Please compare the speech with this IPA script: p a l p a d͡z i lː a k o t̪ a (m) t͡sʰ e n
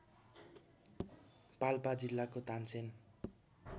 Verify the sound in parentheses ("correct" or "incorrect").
incorrect